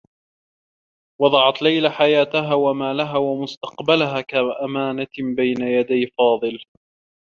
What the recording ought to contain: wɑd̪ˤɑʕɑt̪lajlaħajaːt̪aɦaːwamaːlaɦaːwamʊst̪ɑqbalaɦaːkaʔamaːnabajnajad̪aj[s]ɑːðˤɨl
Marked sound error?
yes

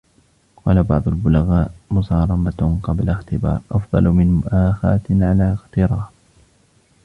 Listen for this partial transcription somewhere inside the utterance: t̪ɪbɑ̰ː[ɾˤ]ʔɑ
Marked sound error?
no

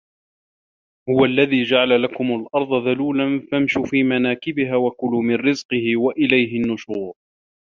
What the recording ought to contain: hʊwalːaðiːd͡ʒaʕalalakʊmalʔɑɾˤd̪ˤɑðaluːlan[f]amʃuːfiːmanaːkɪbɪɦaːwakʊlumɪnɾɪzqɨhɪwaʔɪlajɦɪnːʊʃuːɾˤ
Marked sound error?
no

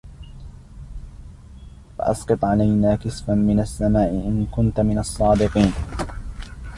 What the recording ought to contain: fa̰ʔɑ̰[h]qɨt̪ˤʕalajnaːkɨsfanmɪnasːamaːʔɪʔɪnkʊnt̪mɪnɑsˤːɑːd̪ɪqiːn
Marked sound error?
yes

